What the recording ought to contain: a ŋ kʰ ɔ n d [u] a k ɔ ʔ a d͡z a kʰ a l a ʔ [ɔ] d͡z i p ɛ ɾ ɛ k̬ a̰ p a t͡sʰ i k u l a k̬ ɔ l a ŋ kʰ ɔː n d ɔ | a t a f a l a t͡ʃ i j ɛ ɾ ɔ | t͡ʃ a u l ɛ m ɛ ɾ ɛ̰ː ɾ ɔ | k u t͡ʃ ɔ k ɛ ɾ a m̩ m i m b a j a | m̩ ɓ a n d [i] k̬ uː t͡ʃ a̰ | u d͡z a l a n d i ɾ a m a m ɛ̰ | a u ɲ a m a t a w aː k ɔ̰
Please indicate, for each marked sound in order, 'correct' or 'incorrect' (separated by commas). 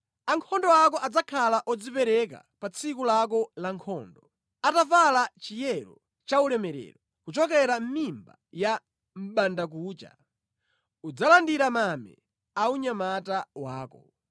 incorrect, correct, incorrect